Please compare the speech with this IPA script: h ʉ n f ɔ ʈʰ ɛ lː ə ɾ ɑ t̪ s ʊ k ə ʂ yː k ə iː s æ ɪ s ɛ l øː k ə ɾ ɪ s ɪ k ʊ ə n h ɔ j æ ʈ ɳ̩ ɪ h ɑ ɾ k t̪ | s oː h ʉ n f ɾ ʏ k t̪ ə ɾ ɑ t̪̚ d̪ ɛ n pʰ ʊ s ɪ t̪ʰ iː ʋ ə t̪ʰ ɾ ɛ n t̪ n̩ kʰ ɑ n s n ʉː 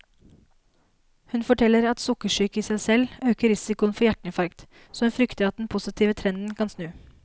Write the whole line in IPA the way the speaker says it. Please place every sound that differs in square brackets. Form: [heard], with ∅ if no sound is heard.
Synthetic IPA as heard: h ʉ n f ɔ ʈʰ ɛ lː ə ɾ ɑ t̪ s ʊ k ə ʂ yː k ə iː s æ ɪ s ɛ l øː k ə ɾ ɪ s ɪ k ʊ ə n [f] ɔ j æ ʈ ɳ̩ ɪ [f] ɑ ɾ k t̪ | s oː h ʉ n f ɾ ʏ k t̪ ə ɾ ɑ t̪̚ d̪ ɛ n pʰ ʊ s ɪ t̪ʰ iː ʋ ə t̪ʰ ɾ ɛ n [d̪] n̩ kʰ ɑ n s n ʉː